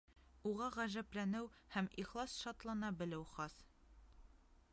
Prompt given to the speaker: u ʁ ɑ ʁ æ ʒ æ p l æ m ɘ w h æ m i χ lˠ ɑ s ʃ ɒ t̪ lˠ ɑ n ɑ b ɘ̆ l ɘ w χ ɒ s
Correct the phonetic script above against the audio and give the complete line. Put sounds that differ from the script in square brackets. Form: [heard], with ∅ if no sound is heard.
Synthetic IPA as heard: u ʁ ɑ ʁ æ ʒ æ p l æ [n] ɘ w h æ m i χ lˠ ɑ s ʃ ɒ t̪ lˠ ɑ n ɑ b ɘ̆ l ɘ w χ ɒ s